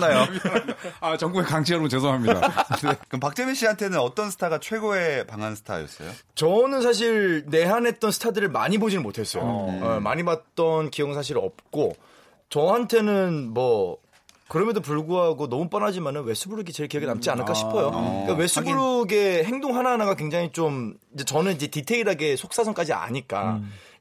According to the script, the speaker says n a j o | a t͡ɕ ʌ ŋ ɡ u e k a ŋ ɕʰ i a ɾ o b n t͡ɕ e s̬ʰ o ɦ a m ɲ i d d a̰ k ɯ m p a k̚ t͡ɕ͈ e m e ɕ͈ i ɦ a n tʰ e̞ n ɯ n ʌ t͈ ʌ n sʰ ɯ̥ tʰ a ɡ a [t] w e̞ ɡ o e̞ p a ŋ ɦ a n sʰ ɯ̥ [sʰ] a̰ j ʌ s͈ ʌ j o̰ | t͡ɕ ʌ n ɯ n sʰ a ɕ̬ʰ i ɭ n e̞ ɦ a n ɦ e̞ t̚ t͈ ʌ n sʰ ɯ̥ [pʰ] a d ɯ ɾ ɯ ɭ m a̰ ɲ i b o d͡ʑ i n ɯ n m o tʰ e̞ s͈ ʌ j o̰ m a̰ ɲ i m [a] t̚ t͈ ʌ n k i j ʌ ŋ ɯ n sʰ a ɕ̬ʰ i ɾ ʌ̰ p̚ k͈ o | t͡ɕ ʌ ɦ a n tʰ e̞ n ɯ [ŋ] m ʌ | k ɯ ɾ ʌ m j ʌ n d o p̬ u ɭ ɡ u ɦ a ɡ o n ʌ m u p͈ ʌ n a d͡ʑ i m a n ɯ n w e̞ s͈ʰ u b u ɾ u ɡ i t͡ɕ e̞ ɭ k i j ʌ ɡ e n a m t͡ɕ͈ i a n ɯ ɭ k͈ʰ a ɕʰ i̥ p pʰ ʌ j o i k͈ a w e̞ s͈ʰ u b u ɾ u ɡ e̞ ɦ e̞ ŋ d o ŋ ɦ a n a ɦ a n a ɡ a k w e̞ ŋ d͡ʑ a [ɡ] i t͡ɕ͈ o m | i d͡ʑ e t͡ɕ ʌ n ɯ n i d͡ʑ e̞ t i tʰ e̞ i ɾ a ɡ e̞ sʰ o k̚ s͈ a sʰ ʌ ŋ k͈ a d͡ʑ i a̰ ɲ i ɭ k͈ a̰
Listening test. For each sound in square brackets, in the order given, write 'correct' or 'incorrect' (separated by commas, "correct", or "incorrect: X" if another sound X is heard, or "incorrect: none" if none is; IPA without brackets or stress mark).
incorrect: t͡ɕʰ, incorrect: tʰ, incorrect: tʰ, correct, incorrect: n, incorrect: ŋ